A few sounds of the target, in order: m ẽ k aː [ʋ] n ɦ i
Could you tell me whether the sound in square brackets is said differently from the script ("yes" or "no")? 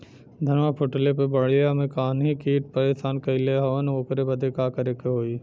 yes